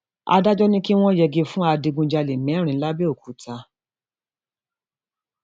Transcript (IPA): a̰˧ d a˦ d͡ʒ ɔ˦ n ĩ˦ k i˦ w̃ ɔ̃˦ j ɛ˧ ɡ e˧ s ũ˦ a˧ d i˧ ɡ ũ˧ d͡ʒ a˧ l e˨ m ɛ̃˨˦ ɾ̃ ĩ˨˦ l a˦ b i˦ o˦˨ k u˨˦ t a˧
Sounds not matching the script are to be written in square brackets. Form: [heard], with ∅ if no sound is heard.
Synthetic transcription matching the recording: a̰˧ d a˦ d͡ʒ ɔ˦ n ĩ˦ k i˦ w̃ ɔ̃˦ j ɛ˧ ɡ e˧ [f] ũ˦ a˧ d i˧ ɡ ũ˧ d͡ʒ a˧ l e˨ m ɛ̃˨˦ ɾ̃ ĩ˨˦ l a˦ b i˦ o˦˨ k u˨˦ t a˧